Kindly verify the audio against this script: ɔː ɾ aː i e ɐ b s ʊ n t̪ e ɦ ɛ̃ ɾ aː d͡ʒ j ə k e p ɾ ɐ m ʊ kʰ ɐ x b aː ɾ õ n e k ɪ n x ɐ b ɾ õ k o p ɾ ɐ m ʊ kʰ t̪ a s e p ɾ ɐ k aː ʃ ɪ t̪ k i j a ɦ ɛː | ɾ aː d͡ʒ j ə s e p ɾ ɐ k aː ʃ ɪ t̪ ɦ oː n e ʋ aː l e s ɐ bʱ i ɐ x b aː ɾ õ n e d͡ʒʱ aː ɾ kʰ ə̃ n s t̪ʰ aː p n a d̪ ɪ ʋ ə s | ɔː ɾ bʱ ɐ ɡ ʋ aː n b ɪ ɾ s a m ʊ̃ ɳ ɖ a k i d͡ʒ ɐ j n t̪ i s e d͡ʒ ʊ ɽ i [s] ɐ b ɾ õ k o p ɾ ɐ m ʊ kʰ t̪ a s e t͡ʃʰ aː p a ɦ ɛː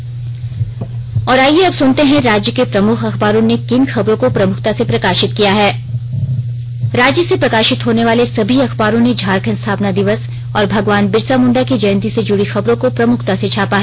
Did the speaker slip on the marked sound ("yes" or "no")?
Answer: yes